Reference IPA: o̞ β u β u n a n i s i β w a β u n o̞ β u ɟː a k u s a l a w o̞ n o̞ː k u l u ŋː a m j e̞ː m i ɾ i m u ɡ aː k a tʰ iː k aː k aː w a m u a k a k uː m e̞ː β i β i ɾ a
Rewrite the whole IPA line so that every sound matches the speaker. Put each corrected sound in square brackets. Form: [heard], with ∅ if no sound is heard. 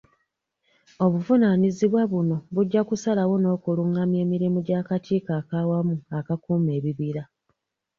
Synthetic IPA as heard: o̞ β u [v] u n a n i [z] i β w a β u n o̞ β u ɟː a k u s a l a w o̞ n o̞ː k u l u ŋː a m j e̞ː m i ɾ i m u [ɟ] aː k a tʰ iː k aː k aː w a m u a k a k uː m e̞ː β i β i ɾ a